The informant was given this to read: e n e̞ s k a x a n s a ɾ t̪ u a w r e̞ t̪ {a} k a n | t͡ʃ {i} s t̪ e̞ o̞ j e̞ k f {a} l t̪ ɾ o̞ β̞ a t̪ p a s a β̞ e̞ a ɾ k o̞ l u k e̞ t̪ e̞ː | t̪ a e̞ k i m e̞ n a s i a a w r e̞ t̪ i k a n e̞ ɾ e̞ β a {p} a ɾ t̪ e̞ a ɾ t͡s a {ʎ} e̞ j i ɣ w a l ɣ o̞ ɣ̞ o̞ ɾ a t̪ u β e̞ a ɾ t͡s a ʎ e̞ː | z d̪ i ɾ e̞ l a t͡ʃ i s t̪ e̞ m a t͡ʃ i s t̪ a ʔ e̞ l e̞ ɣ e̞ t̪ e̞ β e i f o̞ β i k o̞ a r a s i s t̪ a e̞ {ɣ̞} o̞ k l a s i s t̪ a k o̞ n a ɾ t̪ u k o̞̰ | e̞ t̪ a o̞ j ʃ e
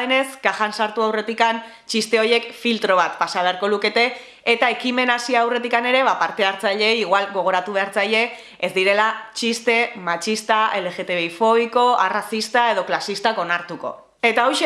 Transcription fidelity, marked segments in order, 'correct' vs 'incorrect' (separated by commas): incorrect, correct, incorrect, correct, correct, incorrect